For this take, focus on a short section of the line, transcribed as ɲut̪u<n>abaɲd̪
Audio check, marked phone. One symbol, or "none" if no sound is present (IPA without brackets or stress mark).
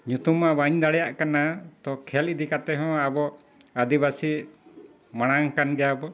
m